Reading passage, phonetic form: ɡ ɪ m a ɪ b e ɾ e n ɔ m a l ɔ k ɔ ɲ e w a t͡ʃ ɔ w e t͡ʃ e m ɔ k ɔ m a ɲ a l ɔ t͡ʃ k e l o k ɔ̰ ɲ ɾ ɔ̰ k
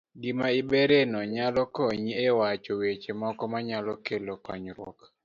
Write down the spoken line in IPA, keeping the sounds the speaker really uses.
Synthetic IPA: ɡ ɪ m a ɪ b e ɾ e n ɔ ɲ a l ɔ k ɔ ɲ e w a t͡ʃ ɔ w e t͡ʃ e m ɔ k ɔ m a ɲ a l ɔ k e l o k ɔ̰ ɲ ɾ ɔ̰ k